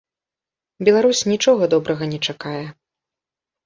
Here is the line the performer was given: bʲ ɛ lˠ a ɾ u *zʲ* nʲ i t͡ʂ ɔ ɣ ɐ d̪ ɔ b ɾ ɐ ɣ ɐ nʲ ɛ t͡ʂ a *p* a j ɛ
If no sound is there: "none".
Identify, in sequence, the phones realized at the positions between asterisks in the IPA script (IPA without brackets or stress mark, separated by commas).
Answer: sʲ, k